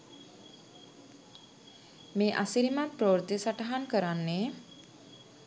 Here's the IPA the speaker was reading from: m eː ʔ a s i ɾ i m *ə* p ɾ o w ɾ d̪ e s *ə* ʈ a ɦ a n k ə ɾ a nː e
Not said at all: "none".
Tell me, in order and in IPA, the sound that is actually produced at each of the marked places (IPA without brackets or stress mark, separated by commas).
a, a